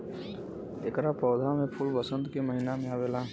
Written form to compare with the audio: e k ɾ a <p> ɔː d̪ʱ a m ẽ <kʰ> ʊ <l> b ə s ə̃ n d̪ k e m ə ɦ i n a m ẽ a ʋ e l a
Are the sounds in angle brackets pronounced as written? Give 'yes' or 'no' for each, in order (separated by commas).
yes, no, yes